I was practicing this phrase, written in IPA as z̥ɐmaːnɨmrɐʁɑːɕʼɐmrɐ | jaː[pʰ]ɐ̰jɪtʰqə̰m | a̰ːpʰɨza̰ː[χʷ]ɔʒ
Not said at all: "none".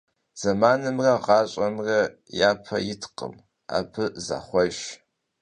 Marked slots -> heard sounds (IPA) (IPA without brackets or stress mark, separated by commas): pʰ, χʷ